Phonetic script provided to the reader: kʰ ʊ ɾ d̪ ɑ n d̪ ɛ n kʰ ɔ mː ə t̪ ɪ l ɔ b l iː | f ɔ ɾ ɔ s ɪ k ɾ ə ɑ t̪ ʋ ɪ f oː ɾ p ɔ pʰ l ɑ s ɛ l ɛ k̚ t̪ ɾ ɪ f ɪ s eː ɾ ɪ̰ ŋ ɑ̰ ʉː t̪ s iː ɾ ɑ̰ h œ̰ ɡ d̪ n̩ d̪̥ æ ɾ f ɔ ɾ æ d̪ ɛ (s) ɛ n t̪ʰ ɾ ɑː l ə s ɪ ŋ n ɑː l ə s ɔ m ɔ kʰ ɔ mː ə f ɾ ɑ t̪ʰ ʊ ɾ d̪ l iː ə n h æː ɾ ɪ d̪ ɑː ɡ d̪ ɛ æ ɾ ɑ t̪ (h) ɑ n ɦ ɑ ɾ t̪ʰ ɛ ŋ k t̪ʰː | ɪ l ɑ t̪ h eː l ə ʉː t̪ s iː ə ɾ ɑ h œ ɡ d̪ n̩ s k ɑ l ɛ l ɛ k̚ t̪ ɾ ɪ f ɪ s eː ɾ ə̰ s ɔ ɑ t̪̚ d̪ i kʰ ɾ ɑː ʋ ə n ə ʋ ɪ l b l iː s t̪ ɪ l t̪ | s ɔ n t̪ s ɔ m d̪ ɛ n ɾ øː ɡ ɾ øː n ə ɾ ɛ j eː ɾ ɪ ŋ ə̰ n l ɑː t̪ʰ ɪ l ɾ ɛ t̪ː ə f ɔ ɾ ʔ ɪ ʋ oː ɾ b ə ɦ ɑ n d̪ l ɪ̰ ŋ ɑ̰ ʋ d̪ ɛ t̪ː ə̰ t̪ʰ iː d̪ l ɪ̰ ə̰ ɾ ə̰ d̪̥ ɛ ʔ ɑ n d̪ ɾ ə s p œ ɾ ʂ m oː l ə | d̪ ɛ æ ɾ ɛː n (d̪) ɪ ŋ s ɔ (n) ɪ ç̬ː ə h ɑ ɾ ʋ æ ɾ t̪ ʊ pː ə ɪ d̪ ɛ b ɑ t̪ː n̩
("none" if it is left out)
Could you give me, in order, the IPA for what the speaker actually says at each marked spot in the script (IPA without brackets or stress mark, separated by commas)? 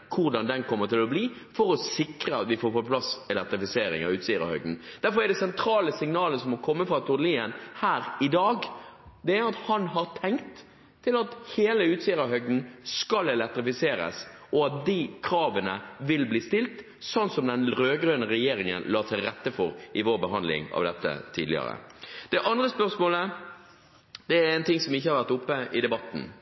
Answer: s, h, t̪, m